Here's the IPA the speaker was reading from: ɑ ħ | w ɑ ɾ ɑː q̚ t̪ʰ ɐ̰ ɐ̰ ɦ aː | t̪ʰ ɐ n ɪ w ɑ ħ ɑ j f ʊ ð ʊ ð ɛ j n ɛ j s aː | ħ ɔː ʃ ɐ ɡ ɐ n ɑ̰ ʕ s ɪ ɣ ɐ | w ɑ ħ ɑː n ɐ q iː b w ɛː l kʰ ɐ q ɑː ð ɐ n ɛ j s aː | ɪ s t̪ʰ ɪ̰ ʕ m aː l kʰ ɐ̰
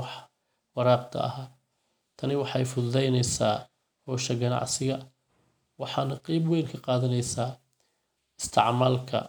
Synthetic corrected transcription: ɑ ħ | w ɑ ɾ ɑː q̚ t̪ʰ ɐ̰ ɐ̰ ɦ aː | t̪ʰ ɐ n ɪ w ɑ ħ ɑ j f ʊ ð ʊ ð ɛ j n ɛ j s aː | h ɔː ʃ ɐ ɡ ɐ n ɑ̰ ʕ s ɪ ɣ ɐ | w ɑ ħ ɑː n ɐ q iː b w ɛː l kʰ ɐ q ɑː ð ɐ n ɛ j s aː | ɪ s t̪ʰ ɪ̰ ʕ m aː l kʰ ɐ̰